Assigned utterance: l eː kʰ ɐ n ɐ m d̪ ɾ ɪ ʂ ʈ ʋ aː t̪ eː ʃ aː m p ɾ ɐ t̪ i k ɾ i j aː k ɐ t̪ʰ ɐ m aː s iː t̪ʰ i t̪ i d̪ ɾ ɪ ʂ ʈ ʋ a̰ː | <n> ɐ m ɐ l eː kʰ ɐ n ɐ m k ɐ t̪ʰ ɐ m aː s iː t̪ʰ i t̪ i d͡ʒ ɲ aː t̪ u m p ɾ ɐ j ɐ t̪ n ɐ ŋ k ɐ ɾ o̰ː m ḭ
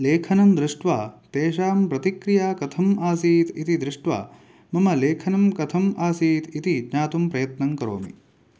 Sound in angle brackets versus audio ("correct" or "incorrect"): incorrect